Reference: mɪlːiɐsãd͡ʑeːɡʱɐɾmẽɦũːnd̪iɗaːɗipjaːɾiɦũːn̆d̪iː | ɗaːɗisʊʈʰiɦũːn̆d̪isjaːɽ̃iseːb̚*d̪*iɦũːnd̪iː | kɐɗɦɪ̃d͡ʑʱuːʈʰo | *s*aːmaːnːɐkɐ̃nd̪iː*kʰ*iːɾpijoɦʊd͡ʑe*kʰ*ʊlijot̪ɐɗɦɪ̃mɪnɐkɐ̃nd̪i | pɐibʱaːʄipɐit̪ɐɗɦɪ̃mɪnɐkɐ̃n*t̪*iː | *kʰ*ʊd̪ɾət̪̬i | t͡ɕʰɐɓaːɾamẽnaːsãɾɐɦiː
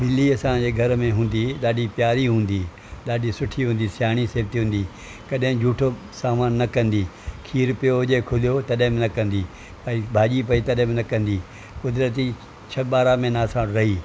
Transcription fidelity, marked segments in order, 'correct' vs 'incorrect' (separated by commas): incorrect, correct, correct, correct, incorrect, incorrect